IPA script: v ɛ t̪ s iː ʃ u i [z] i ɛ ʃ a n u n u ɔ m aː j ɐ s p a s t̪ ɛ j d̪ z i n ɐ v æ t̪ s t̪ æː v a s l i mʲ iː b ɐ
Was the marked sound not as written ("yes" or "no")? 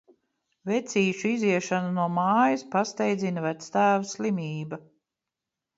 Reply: no